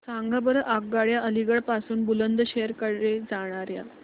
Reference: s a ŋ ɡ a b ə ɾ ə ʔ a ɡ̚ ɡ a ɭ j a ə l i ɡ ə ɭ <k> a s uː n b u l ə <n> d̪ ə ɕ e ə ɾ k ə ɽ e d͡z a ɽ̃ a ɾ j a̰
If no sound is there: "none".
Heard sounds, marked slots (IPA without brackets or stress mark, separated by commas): p, n